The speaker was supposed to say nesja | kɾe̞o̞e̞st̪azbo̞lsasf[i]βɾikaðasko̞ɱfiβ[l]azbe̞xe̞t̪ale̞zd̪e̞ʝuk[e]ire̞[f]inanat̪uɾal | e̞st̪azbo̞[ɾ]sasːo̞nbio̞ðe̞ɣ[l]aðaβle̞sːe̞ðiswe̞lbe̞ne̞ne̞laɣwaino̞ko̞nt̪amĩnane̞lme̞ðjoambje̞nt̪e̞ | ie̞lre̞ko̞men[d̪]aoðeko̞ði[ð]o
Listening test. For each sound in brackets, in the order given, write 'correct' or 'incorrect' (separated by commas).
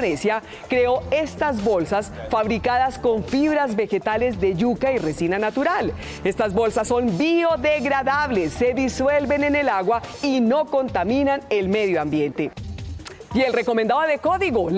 incorrect, incorrect, incorrect, incorrect, incorrect, incorrect, correct, incorrect